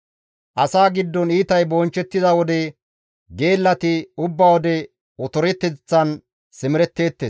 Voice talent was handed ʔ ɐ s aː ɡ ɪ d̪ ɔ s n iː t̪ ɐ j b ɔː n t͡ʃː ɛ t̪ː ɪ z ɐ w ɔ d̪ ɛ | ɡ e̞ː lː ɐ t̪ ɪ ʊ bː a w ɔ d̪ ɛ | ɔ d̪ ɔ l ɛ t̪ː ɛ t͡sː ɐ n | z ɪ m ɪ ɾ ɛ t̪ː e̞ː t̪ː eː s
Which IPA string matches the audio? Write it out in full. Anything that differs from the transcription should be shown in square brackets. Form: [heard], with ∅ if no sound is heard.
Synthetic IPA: ʔ ɐ s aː ɡ ɪ [d̪ː] ɔ [∅] n iː t̪ ɐ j b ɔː n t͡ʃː ɛ t̪ː ɪ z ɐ w ɔ d̪ ɛ | ɡ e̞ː lː ɐ t̪ ɪ ʊ bː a w ɔ d̪ ɛ | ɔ [t̪] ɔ [ɾ] ɛ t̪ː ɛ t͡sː ɐ n | [s] ɪ m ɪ ɾ ɛ t̪ː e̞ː t̪ː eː s